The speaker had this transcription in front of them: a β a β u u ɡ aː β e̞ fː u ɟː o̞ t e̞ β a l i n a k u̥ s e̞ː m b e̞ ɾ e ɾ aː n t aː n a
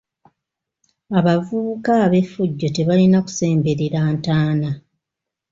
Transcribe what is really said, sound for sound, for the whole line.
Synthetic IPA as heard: a β a v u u k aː β e̞ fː u ɟː o̞ t e̞ β a l i n a k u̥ s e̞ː m b e̞ ɾ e ɾ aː n t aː n a